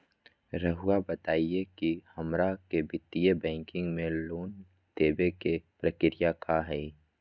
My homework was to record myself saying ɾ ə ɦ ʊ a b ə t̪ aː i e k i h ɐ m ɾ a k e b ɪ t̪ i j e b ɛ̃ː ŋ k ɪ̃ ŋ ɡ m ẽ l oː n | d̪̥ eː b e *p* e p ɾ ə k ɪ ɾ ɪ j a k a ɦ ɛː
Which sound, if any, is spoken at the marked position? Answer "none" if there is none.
k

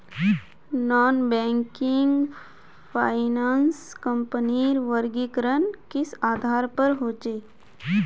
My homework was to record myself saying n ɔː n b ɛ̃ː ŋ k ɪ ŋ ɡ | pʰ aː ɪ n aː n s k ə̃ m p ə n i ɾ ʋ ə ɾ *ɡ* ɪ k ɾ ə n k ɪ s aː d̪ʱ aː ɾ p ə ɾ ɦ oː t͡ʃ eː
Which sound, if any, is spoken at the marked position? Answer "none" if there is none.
ɡ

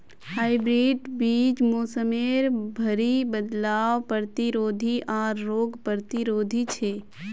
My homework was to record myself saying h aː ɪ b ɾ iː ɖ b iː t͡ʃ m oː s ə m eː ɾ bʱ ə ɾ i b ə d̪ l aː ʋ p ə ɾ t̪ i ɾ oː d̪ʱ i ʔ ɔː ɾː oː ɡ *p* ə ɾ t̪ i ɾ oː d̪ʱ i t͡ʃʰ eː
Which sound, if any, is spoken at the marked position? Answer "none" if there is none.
p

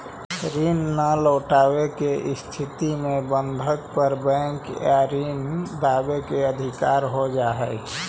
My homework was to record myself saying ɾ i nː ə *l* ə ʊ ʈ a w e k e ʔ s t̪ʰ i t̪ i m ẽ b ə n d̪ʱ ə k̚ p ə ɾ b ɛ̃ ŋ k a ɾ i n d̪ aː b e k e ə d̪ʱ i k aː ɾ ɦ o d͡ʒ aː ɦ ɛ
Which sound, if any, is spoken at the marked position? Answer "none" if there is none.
l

